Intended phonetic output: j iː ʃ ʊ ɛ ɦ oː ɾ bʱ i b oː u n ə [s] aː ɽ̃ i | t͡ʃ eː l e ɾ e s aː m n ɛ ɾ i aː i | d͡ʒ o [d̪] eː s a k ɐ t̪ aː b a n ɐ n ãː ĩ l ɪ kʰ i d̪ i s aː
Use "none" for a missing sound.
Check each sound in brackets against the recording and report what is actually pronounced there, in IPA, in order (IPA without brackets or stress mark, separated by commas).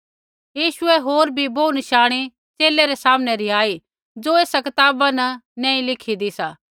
ʃ, none